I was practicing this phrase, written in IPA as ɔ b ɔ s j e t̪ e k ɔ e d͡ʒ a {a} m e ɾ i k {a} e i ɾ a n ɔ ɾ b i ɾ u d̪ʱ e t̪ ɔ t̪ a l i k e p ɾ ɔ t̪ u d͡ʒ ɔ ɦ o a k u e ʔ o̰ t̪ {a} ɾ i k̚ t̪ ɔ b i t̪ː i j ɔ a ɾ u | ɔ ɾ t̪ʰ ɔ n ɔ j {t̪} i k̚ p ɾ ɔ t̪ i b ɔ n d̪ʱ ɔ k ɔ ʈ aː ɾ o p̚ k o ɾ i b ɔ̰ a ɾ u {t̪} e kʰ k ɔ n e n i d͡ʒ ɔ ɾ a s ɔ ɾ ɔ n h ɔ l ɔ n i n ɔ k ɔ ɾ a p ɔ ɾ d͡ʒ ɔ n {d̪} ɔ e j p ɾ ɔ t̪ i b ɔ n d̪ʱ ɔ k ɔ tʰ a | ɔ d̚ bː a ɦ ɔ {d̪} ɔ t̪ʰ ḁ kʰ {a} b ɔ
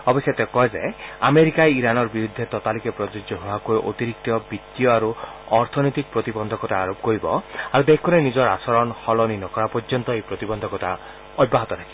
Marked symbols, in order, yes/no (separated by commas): yes, yes, no, yes, no, no, no, no